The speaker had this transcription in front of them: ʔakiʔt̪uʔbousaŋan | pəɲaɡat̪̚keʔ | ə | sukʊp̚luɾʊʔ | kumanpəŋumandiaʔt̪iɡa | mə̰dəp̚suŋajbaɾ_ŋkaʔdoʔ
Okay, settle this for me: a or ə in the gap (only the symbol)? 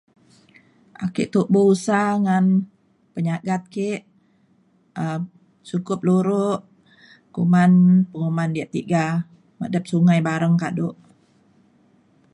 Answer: ə